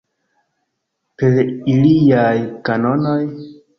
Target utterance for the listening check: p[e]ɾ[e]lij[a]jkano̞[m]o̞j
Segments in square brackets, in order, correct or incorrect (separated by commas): correct, incorrect, correct, incorrect